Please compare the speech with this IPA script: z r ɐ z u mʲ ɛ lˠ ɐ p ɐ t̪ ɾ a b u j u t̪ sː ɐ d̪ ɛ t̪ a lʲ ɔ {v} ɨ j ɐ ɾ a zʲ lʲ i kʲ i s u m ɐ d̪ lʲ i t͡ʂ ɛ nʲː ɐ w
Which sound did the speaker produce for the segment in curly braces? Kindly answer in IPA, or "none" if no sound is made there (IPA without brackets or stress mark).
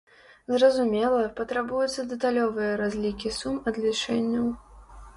v